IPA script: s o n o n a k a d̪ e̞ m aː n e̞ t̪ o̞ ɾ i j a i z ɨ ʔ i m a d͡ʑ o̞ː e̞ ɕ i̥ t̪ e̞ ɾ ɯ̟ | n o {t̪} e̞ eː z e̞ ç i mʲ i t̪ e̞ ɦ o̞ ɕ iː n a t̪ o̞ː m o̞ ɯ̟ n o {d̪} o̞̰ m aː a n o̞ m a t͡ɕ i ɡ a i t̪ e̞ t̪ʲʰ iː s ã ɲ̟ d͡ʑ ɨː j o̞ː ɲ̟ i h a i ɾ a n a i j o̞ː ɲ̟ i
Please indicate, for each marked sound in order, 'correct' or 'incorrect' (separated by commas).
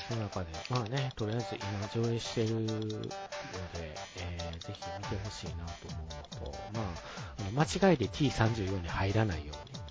incorrect, incorrect